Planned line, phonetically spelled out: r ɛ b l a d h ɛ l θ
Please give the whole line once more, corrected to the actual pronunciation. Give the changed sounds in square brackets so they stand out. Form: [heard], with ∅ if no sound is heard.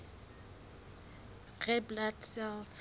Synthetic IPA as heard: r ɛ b l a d [s] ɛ l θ